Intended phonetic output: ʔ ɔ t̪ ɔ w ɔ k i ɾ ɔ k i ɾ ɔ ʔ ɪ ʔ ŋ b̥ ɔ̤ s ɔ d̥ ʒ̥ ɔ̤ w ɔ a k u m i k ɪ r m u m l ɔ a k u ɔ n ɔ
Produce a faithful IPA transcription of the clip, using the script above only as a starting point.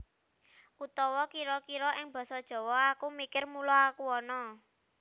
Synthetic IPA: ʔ u t̪ ɔ w ɔ k i ɾ ɔ k i ɾ ɔ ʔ ɪ ŋ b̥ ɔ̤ s ɔ d̥ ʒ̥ ɔ̤ w ɔ a k u m i k ɪ r m u l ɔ a k u ɔ n ɔ